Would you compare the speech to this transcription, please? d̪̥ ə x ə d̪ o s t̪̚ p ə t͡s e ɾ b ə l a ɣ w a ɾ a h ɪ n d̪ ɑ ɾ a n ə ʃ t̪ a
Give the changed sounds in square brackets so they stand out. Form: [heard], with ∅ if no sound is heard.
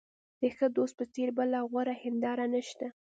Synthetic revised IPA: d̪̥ ə x ə d̪ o s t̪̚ p ə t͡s e ɾ b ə l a ɣ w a ɾ a h ɪ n d̪ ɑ ɾ a n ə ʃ t̪ a